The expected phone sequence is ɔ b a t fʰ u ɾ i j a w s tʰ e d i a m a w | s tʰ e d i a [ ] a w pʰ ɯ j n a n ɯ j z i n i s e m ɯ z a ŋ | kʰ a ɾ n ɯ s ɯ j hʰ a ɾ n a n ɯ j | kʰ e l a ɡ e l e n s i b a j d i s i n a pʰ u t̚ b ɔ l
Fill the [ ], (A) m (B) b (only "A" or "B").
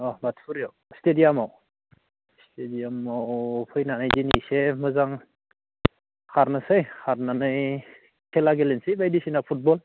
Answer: A